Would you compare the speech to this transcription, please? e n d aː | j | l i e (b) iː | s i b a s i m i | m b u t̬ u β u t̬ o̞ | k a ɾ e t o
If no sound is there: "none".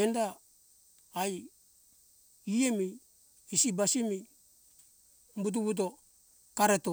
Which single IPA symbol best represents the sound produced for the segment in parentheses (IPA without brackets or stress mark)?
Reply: m